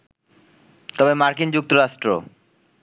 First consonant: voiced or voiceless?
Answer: voiceless